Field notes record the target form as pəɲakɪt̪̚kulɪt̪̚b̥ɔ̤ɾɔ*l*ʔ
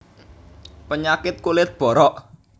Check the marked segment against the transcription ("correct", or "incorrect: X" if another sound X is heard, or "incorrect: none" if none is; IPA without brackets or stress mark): incorrect: none